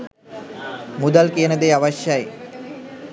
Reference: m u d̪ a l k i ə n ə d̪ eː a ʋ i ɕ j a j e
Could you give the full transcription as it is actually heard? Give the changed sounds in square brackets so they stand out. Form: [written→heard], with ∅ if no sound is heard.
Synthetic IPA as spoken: m u d̪ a l k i ə n ə d̪ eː a ʋ [i→a] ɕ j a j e